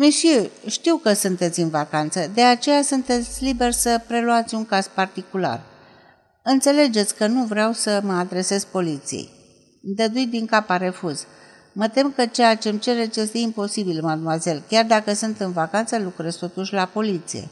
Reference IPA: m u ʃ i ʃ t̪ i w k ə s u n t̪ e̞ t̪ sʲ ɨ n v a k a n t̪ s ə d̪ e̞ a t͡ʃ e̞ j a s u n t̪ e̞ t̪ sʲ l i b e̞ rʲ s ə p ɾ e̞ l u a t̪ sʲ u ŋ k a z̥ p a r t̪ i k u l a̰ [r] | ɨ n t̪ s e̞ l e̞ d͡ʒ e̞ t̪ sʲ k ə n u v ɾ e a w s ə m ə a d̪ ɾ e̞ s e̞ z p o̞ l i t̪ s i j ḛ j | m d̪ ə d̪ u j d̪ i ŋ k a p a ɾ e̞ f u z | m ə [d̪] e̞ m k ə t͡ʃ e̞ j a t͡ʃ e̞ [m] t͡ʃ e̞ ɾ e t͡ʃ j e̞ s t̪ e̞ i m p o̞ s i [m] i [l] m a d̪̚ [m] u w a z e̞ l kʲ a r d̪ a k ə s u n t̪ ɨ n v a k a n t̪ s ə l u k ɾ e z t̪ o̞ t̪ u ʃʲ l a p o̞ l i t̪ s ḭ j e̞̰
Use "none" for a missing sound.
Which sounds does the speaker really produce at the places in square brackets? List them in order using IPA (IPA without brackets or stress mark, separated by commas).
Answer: r, t̪, m, b, l, m